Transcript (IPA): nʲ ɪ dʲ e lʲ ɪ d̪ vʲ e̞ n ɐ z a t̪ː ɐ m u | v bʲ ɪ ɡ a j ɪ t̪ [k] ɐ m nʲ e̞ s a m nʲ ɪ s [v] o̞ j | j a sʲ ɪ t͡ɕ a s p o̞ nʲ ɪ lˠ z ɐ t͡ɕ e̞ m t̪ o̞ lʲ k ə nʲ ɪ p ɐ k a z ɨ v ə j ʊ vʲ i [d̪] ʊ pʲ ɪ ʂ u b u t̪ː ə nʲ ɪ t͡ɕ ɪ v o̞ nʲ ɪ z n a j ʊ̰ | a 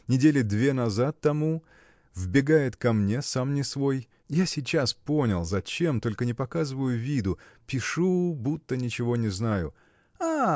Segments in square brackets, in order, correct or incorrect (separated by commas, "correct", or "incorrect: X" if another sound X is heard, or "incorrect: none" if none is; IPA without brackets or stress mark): correct, correct, correct